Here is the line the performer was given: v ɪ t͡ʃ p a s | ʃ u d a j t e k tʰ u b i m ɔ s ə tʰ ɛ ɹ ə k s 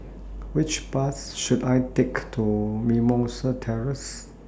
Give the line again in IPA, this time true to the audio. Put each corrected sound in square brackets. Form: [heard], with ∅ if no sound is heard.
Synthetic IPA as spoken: [w] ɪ t͡ʃ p a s | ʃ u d a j t e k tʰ u [m] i m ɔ s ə tʰ ɛ ɹ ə [∅] s